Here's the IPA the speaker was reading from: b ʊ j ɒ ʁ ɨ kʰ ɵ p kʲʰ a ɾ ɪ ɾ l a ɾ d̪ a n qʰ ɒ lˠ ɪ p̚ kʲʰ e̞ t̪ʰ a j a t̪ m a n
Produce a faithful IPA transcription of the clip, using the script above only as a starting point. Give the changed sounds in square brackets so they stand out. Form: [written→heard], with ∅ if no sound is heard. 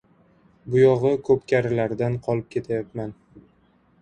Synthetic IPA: b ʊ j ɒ ʁ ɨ kʰ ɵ p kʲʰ a ɾ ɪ [ɾ→∅] l a ɾ d̪ a n qʰ ɒ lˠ ɪ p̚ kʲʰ e̞ t̪ʰ a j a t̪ m a n